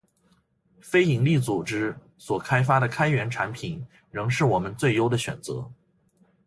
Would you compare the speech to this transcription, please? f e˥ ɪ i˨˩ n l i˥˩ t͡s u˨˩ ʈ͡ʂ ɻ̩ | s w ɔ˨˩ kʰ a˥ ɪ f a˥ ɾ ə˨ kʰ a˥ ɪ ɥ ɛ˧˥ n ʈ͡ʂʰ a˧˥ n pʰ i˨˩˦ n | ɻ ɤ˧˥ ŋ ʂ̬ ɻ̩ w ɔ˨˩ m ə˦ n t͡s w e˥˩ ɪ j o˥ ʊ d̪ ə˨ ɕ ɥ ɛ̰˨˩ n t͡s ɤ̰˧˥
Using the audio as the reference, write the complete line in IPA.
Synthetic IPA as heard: f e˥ ɪ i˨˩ ŋ l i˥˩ t͡s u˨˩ ʈ͡ʂ ɻ̩ | s w ɔ˨˩ kʰ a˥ ɪ f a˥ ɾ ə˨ kʰ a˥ ɪ ɥ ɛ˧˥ n ʈ͡ʂʰ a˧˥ n pʰ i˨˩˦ n | ɻ ɤ˧˥ ŋ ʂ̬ ɻ̩ w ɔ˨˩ m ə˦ n t͡s w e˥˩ ɪ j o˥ ʊ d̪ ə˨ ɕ ɥ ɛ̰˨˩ n t͡s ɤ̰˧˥